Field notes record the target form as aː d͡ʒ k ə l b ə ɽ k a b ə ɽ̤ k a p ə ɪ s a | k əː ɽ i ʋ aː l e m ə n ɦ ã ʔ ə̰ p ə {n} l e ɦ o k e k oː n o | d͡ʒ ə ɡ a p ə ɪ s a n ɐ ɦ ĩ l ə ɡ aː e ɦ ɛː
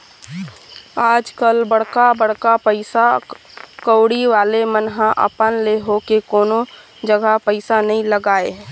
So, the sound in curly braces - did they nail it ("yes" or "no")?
yes